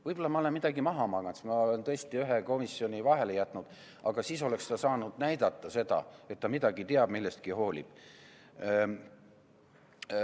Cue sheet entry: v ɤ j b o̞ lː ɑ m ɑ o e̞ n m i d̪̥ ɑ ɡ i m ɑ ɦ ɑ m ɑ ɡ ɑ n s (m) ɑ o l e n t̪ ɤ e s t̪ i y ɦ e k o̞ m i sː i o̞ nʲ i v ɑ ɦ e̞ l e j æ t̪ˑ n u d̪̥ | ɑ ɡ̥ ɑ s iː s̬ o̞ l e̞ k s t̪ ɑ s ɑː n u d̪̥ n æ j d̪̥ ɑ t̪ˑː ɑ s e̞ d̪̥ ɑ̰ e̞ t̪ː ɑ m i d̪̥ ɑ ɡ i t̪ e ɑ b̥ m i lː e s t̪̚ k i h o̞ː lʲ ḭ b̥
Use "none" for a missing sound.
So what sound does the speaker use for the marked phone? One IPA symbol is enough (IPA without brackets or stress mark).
m